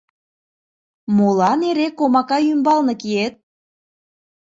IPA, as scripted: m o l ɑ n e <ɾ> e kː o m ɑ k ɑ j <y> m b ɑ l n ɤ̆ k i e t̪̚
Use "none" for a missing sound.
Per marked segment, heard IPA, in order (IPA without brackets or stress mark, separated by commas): ɾ, y